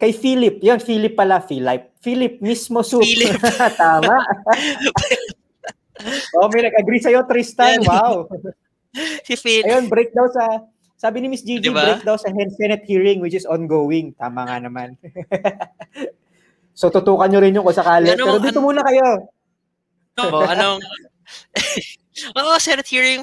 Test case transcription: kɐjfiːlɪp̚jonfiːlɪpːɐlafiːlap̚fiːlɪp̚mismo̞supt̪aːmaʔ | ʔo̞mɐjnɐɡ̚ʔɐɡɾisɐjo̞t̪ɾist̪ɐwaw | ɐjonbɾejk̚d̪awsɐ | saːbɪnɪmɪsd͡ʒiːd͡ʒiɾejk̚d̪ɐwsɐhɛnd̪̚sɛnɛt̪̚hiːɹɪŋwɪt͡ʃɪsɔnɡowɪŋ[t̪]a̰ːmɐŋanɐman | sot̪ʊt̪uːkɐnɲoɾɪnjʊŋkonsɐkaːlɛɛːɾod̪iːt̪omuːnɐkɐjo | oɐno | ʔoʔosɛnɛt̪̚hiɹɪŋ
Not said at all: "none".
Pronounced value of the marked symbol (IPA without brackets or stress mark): t̪